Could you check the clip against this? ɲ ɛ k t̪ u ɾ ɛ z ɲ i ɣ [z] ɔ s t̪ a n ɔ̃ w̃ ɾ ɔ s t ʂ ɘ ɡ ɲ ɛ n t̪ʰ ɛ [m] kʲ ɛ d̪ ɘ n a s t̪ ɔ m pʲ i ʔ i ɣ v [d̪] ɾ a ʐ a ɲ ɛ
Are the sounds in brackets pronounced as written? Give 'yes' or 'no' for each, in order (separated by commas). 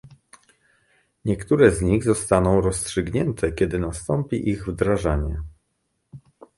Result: yes, no, yes